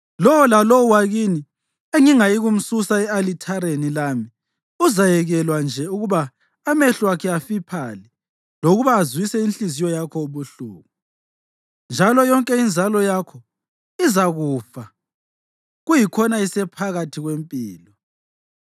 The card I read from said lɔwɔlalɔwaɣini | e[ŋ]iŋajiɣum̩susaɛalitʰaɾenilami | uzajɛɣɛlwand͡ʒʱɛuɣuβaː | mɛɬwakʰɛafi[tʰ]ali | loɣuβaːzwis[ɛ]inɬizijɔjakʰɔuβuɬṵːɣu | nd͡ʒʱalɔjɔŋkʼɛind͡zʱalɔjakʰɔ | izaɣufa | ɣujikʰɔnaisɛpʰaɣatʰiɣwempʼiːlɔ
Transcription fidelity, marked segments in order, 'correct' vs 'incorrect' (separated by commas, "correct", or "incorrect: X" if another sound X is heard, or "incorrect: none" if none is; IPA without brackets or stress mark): correct, incorrect: pʰ, correct